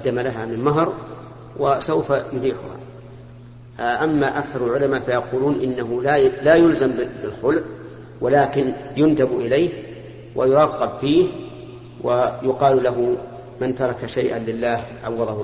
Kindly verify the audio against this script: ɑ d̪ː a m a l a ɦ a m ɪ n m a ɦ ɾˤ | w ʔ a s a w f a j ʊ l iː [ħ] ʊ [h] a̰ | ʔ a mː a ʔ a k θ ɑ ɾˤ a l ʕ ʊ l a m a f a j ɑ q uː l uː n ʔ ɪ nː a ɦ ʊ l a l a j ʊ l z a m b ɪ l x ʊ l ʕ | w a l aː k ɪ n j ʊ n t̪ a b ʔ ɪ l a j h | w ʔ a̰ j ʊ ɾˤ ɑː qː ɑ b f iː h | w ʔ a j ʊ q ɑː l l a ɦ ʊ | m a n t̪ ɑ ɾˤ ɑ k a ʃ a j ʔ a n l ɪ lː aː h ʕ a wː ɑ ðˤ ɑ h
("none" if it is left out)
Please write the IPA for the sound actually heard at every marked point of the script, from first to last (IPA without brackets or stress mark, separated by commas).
ħ, h